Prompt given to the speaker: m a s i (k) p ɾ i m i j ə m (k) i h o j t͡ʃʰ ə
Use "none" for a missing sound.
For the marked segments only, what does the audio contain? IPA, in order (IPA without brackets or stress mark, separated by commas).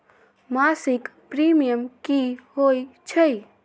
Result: k, k